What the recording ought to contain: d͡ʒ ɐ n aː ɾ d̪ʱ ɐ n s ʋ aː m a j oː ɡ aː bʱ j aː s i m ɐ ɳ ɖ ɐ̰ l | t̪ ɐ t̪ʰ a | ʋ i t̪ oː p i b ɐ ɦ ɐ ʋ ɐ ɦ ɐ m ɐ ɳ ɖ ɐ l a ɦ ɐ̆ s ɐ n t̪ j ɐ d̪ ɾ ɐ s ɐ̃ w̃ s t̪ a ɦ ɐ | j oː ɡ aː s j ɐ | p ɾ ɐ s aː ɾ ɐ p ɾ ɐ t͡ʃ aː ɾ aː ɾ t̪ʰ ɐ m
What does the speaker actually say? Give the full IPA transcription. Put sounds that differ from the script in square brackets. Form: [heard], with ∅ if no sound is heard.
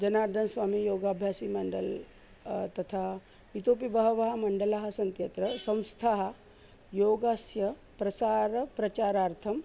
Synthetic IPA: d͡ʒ ɐ n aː ɾ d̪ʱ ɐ n s ʋ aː m [i] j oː ɡ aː bʱ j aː s i m ɐ ɳ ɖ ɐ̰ l | t̪ ɐ t̪ʰ a | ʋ i t̪ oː p i b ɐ ɦ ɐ ʋ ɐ ɦ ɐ m ɐ ɳ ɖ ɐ l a ɦ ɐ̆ s ɐ n t̪ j ɐ [t̪] ɾ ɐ s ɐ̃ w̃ s [t̪ʰ] a ɦ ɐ | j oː ɡ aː s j ɐ | p ɾ ɐ s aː ɾ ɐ p ɾ ɐ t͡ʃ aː ɾ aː ɾ t̪ʰ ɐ m